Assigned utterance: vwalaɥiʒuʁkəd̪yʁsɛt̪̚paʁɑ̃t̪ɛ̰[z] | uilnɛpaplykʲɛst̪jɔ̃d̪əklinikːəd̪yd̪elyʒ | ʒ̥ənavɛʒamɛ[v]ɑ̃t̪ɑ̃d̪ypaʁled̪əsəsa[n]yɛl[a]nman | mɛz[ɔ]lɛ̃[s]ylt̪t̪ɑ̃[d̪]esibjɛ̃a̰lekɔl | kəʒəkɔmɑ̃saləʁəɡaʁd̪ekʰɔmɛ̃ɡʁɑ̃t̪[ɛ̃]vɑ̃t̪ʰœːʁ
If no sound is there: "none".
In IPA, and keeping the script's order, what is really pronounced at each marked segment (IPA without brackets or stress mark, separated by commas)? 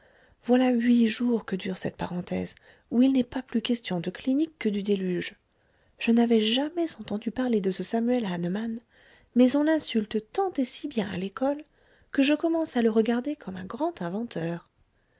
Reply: z, z, m, a, ɔ̃, s, t̪, ɛ̃